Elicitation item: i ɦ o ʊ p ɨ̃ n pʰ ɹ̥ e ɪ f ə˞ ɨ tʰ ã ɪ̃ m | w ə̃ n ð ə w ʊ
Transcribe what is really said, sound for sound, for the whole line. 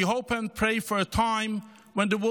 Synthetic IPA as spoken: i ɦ o ʊ p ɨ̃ n pʰ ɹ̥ e ɪ f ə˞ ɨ tʰ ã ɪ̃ m | w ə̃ n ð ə w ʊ